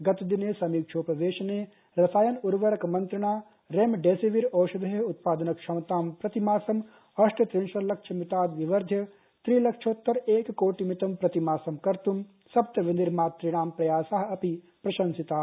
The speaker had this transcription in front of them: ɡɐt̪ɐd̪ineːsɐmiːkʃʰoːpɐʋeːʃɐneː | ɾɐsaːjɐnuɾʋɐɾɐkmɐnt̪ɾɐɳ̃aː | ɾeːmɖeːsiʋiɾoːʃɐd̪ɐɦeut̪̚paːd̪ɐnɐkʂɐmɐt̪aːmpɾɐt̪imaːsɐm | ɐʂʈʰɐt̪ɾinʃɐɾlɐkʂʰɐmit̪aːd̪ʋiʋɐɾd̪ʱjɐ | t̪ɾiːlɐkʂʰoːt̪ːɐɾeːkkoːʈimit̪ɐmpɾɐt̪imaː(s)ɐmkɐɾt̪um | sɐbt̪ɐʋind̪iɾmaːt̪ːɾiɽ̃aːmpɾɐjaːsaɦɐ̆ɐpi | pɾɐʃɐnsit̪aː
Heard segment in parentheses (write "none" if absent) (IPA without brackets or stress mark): s